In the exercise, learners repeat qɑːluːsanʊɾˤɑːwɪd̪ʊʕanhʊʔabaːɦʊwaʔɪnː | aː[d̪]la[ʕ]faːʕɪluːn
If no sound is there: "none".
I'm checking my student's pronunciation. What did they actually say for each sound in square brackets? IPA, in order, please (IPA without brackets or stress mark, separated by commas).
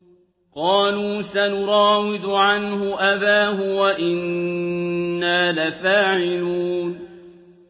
none, none